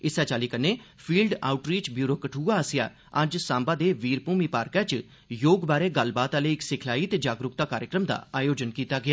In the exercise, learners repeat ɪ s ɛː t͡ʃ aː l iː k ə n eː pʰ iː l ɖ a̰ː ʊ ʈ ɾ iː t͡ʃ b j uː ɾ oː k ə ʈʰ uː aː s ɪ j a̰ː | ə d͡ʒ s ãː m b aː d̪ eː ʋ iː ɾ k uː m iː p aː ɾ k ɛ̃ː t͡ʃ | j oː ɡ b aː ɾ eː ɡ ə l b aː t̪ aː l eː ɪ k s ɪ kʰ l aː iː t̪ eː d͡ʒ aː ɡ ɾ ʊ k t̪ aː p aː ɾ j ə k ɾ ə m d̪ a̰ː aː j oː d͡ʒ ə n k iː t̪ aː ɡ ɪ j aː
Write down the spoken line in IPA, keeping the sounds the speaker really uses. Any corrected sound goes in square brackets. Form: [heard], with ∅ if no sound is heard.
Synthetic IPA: ɪ s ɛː t͡ʃ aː l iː k ə n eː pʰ iː l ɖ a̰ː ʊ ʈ ɾ iː t͡ʃ b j uː ɾ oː k ə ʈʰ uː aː s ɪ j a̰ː | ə d͡ʒ s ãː m b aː d̪ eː ʋ iː ɾ [p] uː m iː p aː ɾ k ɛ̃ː t͡ʃ | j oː ɡ b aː ɾ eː ɡ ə l b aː t̪ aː l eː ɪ k s ɪ kʰ l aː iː t̪ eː d͡ʒ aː ɡ ɾ ʊ k t̪ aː [k] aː ɾ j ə k ɾ ə m d̪ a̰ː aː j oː d͡ʒ ə n k iː t̪ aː ɡ ɪ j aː